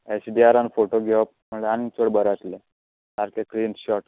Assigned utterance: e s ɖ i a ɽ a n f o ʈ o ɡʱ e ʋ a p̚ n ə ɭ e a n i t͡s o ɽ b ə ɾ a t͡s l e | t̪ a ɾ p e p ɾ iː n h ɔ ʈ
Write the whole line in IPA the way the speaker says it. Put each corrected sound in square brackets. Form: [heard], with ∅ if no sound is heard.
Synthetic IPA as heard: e s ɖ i a [ɾ] a n f o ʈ o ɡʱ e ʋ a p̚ [m] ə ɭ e a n i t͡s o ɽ b ə ɾ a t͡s l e | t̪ a ɾ [k] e [k] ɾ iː n [ɕ] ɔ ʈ